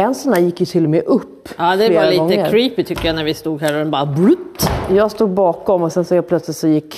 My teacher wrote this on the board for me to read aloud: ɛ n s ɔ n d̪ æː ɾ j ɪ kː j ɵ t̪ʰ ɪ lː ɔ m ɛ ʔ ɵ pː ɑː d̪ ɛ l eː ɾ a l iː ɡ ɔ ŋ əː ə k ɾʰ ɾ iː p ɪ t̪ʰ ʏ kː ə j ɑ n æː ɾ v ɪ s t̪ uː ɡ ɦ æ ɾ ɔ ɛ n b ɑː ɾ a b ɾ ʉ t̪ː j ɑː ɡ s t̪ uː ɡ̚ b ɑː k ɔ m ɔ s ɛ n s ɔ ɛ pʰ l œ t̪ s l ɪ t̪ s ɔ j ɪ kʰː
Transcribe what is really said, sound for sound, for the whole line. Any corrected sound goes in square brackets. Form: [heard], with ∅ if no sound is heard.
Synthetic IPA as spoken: ɛ n s ɔ n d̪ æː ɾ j ɪ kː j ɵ t̪ʰ ɪ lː ɔ m ɛ ʔ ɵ pː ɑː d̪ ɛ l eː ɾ a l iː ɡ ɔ ŋ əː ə k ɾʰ ɾ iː p ɪ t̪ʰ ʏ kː ə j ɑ n [æ] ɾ v ɪ s t̪ uː ɡ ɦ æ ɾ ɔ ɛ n b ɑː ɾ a b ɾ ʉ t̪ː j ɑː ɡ s t̪ uː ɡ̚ b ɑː k ɔ m ɔ s ɛ n s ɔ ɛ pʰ l œ t̪ s l ɪ t̪ s ɔ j ɪ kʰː